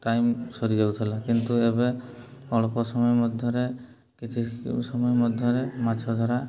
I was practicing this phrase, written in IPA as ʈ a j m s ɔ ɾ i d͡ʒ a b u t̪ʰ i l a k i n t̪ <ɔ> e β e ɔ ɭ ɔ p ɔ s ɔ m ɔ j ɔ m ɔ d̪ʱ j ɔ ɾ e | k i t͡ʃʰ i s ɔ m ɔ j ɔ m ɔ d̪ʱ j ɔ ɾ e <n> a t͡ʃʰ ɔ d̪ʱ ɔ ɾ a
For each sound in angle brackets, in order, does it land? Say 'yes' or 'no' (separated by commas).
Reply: no, no